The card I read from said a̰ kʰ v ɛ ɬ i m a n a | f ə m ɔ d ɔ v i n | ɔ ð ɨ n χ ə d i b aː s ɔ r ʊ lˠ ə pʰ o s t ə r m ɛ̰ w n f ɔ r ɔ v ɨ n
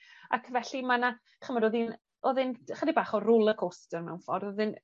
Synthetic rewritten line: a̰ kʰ v ɛ ɬ i m a n a | χ ə m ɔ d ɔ ð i n | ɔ ð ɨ n χ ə d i b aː χ ɔ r ʊ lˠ ə kʰ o s t ə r m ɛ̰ w n f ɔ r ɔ ð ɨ n